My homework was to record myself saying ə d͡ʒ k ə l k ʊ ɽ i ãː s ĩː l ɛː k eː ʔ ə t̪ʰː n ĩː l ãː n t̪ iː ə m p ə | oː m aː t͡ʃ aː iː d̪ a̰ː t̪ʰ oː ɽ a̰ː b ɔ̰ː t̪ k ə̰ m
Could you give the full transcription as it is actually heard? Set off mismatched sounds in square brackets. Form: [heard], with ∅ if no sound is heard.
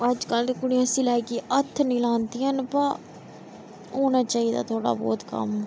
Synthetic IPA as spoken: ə d͡ʒ k ə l k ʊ ɽ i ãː s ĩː l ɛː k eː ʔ ə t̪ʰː n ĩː l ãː n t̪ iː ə [n] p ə | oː [n] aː t͡ʃ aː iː d̪ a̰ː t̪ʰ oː ɽ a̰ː b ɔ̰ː t̪ k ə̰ m